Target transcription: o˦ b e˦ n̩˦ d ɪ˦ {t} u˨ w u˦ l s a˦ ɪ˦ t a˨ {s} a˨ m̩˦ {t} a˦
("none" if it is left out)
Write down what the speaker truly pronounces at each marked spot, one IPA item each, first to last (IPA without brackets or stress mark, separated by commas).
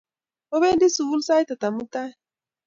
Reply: s, t, t